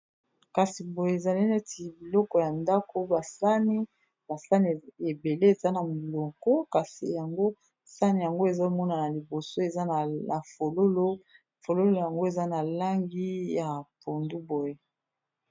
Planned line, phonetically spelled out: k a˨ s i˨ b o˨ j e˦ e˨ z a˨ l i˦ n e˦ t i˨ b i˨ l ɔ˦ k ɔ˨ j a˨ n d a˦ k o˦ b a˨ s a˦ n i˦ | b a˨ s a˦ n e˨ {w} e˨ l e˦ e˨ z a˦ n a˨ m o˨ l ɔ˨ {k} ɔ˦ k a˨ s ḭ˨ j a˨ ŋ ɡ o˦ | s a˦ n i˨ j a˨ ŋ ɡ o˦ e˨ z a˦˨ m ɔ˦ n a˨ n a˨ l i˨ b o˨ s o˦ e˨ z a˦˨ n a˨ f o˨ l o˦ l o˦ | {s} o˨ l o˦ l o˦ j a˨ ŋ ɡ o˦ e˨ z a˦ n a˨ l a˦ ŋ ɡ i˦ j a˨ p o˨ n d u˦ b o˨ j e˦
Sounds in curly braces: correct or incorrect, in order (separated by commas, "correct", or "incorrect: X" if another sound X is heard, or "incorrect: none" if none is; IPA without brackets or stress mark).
incorrect: b, correct, incorrect: f